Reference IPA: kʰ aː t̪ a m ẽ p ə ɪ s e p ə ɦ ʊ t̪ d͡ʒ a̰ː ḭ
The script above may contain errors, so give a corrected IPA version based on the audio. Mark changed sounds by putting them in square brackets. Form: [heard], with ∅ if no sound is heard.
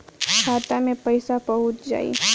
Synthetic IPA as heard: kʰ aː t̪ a m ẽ p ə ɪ s [a] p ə ɦ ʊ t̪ d͡ʒ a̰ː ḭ